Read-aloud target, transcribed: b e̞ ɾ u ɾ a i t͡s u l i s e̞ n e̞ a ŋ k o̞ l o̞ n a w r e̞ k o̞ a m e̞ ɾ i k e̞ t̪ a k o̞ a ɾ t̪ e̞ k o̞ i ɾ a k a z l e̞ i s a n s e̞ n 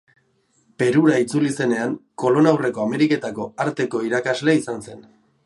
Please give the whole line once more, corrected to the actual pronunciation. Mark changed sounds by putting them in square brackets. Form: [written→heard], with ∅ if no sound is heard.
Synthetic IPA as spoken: [b→p] e̞ ɾ u ɾ a i t͡s u l i s e̞ n e̞ a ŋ k o̞ l o̞ n a w r e̞ k o̞ a m e̞ ɾ i k e̞ t̪ a k o̞ a ɾ t̪ e̞ k o̞ i ɾ a k a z l e̞ i s a n s e̞ n